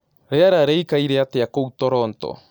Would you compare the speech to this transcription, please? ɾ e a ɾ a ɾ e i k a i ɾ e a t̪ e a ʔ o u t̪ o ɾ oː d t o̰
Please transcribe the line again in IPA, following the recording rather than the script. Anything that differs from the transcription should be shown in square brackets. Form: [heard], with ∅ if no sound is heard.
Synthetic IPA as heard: ɾ e a ɾ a ɾ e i k a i ɾ e a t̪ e a [k] o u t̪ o ɾ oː [n] t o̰